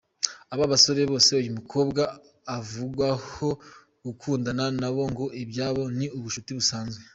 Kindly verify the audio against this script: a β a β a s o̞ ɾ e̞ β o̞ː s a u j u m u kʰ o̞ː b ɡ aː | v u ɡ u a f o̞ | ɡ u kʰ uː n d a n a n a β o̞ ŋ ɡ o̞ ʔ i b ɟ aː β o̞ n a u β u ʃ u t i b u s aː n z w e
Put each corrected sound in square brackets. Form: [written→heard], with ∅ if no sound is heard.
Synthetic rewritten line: a β a β a s o̞ ɾ e̞ β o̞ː s [a→e] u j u m u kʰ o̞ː b ɡ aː | v u ɡ [u→w] a [f→h] o̞ | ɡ u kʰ uː n d a n a n a β o̞ ŋ ɡ o̞ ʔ i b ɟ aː β o̞ n [a→i] u β u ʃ u t i [b→β] u s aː n z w e